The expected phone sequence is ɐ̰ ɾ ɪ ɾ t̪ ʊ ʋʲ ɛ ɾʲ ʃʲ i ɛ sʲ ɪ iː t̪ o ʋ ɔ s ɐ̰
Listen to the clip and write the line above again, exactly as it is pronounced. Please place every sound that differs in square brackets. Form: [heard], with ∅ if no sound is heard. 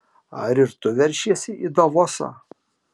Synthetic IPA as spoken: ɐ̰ ɾ ɪ ɾ t̪ ʊ ʋʲ ɛ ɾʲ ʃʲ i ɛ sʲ ɪ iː [d̪] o ʋ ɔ s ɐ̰